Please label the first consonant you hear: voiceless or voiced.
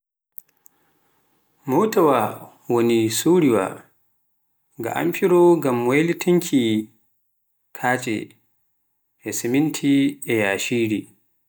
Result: voiced